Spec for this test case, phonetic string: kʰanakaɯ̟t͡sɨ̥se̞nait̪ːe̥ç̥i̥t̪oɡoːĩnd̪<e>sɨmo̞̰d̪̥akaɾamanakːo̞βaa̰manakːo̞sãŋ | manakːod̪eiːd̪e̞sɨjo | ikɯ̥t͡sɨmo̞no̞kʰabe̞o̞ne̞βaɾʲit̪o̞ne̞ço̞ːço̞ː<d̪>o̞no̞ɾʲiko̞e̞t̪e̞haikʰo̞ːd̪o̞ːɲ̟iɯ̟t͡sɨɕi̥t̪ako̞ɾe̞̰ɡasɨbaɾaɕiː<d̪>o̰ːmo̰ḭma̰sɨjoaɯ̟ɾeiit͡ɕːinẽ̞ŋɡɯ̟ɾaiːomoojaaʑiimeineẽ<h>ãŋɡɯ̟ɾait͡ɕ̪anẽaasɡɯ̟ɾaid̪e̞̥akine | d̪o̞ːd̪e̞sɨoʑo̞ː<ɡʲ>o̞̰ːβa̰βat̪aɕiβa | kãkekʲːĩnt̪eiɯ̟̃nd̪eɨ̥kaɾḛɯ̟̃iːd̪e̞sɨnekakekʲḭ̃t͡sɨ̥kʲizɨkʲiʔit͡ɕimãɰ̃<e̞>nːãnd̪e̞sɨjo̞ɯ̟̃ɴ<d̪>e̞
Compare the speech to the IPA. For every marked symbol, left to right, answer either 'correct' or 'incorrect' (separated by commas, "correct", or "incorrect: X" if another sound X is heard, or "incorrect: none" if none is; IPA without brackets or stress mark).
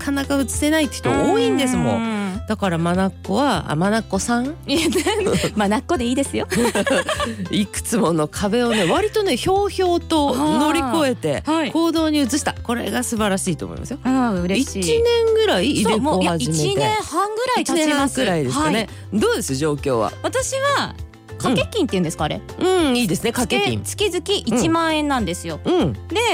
correct, incorrect: t̪, incorrect: t̪, correct, incorrect: kʲ, incorrect: ẽ̞, correct